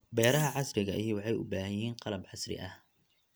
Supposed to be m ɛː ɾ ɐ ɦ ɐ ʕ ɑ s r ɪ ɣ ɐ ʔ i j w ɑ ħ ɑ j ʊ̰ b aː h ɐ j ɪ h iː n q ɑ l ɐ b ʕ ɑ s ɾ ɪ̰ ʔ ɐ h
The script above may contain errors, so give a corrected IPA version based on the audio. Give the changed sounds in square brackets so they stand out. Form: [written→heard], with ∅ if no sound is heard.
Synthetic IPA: [m→b] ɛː ɾ ɐ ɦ ɐ ʕ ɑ s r ɪ ɣ ɐ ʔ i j w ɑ ħ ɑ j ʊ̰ b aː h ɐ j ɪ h iː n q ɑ l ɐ b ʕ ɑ s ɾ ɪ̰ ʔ ɐ h